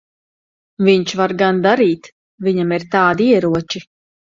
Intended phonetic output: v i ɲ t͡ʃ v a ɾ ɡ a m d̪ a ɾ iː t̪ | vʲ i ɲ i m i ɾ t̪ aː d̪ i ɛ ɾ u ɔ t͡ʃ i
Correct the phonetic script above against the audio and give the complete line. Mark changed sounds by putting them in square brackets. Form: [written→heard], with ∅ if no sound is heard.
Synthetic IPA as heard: v i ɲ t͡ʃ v a ɾ ɡ a [m→n] d̪ a ɾ iː t̪ | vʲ i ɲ [i→a] m i ɾ t̪ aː d̪ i ɛ ɾ u ɔ t͡ʃ i